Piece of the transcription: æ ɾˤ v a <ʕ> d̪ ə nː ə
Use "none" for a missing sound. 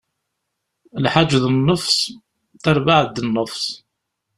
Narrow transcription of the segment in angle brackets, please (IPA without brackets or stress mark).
ʕ